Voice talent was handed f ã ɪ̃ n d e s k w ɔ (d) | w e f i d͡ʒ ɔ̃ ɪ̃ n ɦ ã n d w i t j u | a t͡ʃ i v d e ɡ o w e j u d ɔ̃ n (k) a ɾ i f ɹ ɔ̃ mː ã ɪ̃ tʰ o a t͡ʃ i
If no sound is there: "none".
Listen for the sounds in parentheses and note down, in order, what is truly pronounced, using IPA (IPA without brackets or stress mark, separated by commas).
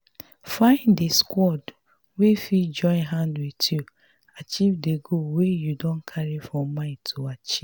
d, kʰ